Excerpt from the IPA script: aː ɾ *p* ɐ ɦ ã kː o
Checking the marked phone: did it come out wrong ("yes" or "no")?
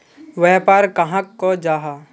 yes